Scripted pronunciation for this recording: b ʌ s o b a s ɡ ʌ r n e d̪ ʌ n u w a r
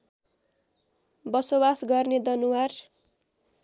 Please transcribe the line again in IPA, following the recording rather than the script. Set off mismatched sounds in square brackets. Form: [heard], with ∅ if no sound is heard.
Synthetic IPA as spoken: b ʌ s o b a s ɡ ʌ r n e d̪ ʌ n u w a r